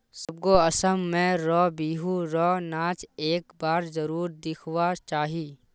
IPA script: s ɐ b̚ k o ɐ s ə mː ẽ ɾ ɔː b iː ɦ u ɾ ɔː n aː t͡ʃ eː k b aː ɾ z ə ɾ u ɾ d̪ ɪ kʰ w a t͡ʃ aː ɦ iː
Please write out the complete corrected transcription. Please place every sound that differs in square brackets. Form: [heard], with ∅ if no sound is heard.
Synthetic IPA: s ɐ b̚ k o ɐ s ə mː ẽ ɾ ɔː b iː ɦ u ɾ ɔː n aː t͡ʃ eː k b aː ɾ z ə ɾ [uː] ɾ d̪ ɪ kʰ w a t͡ʃ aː ɦ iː